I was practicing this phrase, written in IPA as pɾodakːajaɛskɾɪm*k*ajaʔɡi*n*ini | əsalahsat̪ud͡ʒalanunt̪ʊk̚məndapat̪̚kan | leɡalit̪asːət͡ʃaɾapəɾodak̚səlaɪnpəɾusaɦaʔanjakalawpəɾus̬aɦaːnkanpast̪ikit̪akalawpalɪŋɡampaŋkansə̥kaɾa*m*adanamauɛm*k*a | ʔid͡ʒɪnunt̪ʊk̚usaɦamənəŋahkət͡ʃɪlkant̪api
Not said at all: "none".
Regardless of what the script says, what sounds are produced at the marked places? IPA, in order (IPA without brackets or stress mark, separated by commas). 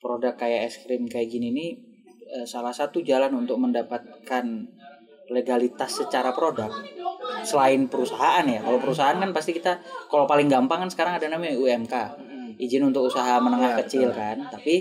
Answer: k, n, ŋ, k